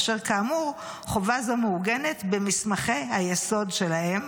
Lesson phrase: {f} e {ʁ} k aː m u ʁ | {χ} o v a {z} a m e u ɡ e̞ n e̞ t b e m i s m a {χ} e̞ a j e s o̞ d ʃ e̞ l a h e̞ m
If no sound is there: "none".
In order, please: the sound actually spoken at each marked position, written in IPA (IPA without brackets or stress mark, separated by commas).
ʃ, ʁ, χ, z, χ